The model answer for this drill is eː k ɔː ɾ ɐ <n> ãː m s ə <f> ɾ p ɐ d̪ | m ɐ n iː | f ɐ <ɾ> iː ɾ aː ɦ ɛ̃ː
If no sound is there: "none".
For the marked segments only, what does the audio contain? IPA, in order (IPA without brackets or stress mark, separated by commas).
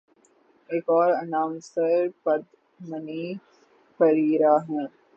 n, none, ɾ